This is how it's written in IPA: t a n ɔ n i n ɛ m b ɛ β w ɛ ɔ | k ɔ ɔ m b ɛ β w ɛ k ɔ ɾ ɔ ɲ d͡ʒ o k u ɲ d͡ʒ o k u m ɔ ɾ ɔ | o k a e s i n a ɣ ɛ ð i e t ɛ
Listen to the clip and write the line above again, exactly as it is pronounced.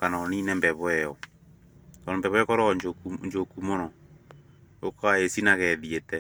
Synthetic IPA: k a n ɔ n i n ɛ m b ɛ β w ɛ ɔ | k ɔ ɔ m b ɛ β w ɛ k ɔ ɾ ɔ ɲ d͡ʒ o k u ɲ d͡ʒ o k u m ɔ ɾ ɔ | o k a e s i n a ɣ ɛ ð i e t ɛ